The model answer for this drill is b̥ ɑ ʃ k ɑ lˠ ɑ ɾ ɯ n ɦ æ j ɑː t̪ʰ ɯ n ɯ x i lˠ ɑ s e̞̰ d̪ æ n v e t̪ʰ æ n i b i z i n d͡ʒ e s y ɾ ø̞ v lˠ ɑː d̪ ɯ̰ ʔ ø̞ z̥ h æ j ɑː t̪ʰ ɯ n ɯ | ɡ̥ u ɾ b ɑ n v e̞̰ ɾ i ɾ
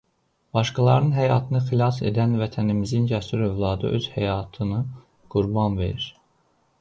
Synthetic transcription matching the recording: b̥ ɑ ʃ k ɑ lˠ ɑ ɾ ɯ n ɦ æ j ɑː t̪ʰ ɯ n ɯ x i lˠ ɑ s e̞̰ d̪ æ n v æ t̪ʰ æ n i m i z i n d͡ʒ æ s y ɾ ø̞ v lˠ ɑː d̪ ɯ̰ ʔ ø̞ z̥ h æ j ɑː t̪ʰ ɯ n ɯ | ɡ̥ u ɾ b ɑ n v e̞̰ ɾ i ɾ

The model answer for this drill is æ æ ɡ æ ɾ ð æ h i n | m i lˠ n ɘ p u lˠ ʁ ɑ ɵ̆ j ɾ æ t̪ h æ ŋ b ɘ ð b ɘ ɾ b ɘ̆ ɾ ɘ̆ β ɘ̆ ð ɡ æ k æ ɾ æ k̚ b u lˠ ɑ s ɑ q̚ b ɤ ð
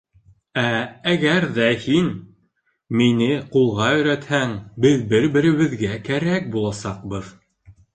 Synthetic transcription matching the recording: æ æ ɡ æ ɾ ð æ h i n | m i n ɘ q u lˠ ʁ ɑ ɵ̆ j ɾ æ t̪ h æ ŋ b ɘ ð b ɘ ɾ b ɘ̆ ɾ ɘ̆ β ɘ̆ ð ɡ æ k æ ɾ æ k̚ b u lˠ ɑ s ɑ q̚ b ɤ ð

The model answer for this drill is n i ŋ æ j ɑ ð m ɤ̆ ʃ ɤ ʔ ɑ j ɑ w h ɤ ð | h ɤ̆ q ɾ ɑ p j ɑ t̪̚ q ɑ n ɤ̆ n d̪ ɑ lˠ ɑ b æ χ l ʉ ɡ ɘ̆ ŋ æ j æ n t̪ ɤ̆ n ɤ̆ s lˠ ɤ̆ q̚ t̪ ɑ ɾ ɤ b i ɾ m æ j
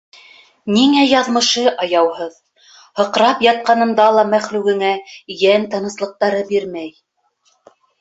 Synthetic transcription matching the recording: n i ŋ æ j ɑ ð m ɤ̆ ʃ ɤ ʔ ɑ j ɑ w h ɤ ð | h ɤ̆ q ɾ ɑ p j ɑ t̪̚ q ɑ n ɤ̆ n d̪ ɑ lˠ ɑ m æ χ l ʉ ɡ ɘ̆ ŋ æ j æ n t̪ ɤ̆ n ɤ̆ s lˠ ɤ̆ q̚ t̪ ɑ ɾ ɤ b i ɾ m æ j

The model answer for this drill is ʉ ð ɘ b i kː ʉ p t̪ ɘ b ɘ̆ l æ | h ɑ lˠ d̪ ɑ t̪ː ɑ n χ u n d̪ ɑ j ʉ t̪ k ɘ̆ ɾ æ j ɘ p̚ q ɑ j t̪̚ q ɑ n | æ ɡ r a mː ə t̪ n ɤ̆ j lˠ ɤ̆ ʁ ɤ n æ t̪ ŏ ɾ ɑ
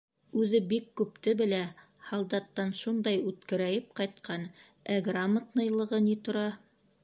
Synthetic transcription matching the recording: ʉ ð ɘ b i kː ʉ p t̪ ɘ b ɘ̆ l æ | h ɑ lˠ d̪ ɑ t̪ː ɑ n ʃ u n d̪ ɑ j ʉ t̪ k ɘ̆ ɾ æ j ɘ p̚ q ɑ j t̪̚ q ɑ n | æ ɡ r a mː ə t̪ n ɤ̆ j lˠ ɤ̆ ʁ ɤ n i t̪ ŏ ɾ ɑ

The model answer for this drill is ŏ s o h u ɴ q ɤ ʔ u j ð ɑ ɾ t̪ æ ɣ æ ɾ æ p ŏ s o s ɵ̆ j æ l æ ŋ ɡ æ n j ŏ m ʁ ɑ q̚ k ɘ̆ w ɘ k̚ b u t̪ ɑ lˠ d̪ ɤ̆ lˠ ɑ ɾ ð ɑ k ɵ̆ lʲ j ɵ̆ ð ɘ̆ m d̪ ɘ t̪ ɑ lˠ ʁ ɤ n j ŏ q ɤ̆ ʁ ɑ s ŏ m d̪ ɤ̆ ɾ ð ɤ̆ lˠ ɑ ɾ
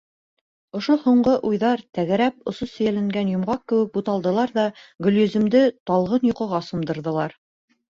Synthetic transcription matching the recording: ŏ ʃ o h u ɴ ɢ ɤ ʔ u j ð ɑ ɾ t̪ æ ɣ æ ɾ æ p ŏ s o s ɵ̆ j æ l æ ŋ ɡ æ n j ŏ m ʁ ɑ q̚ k ɘ̆ w ɘ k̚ b u t̪ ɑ lˠ d̪ ɤ̆ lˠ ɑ ɾ ð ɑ ɡ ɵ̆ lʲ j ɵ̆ z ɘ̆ m d̪ ɘ t̪ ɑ lˠ ʁ ɤ n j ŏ q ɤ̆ ʁ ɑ s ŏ m d̪ ɤ̆ ɾ ð ɤ̆ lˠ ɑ ɾ

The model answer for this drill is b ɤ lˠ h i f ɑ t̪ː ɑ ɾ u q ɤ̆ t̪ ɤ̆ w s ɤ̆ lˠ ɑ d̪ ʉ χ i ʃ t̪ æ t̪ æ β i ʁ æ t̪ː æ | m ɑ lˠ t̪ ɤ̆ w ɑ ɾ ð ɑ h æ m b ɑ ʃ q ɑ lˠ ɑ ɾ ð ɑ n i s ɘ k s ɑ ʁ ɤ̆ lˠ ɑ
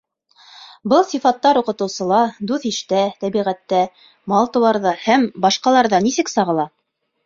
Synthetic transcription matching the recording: b ɤ lˠ s i f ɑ t̪ː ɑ ɾ u q ɤ̆ t̪ ɤ̆ w s ɤ̆ lˠ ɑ d̪ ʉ θ i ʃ t̪ æ t̪ æ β i ʁ æ t̪ː æ | m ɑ lˠ t̪ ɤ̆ w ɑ ɾ ð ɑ h æ m b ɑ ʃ q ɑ lˠ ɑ ɾ ð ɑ n i s ɘ k s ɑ ʁ ɤ̆ lˠ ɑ

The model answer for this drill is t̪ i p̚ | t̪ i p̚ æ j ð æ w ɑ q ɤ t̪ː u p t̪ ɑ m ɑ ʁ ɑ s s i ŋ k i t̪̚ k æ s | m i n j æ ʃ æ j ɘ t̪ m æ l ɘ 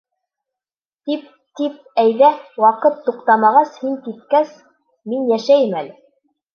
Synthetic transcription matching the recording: t̪ i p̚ | t̪ i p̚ æ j ð æ w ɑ q ɤ t̪ː u q t̪ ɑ m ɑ ʁ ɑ s h i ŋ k i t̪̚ k æ s | m i n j æ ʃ æ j ɘ m æ l ɘ

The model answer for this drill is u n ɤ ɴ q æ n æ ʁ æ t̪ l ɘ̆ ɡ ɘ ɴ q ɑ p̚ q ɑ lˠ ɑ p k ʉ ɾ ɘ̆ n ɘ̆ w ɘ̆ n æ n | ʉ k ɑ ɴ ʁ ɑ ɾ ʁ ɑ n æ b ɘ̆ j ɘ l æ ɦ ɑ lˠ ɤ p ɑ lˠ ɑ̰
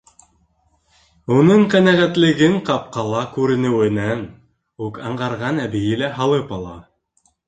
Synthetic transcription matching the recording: u n ɤ ɴ q æ n æ ʁ æ t̪ l ɘ̆ ɡ ɘ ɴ q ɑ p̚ q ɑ lˠ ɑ k ʉ ɾ ɘ̆ n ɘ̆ w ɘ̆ n æ n | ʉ k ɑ ɴ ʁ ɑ ɾ ʁ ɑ n æ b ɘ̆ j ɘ l æ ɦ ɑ lˠ ɤ p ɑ lˠ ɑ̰

